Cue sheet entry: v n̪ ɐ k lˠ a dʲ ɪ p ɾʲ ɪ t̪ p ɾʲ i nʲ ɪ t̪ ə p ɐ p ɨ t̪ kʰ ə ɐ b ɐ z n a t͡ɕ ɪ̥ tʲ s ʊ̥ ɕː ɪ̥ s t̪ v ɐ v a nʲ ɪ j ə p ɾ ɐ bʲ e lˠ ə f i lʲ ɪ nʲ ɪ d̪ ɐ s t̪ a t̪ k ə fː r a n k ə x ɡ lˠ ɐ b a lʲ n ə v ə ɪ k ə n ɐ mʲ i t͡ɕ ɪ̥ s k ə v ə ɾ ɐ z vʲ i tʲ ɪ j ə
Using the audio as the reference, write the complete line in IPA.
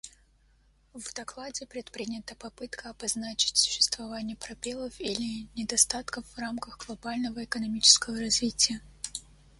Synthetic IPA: v d̪ ɐ k lˠ a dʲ ɪ p ɾʲ ɪ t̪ p ɾʲ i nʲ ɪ t̪ ə p ɐ p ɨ t̪ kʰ ə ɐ b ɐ z n a t͡ɕ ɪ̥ tʲ s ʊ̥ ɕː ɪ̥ s t̪ v ɐ v a nʲ ɪ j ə p ɾ ɐ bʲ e lˠ ə f i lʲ ɪ nʲ ɪ d̪ ɐ s t̪ a t̪ k ə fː r a m k ə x ɡ lˠ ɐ b a lʲ n ə v ə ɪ k ə n ɐ mʲ i t͡ɕ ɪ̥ s k ə v ə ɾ ɐ z vʲ i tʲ ɪ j ə